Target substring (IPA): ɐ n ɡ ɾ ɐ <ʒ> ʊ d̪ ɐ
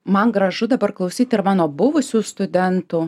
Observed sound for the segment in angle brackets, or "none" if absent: ʒ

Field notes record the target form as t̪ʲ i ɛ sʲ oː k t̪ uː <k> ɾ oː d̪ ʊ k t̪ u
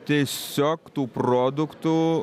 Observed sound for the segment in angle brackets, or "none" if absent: p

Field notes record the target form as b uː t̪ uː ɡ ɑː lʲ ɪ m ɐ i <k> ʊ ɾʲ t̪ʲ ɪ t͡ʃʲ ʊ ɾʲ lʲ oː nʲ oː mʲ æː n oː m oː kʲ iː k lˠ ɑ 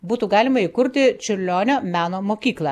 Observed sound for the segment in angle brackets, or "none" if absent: k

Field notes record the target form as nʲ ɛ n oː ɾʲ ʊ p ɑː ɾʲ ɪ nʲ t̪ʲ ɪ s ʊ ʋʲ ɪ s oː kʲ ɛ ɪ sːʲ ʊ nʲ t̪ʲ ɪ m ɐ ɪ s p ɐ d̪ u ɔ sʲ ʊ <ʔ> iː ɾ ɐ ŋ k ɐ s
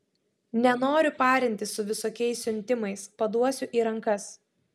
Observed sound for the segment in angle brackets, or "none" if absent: ʔ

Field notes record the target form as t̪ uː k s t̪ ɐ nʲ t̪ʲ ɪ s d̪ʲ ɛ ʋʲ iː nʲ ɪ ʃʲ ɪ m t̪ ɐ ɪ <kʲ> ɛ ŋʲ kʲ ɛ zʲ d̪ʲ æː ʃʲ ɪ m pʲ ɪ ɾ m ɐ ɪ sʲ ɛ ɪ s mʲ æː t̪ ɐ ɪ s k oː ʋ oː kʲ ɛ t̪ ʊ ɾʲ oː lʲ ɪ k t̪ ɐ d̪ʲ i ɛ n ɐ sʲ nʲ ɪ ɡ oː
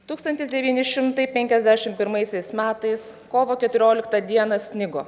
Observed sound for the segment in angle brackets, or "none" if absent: pʲ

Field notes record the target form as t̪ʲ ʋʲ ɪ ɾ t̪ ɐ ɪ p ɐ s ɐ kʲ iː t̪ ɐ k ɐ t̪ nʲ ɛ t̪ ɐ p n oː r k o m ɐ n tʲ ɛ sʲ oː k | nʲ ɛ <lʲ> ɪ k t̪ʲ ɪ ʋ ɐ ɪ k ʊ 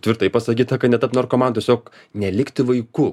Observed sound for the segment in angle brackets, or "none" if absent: lʲ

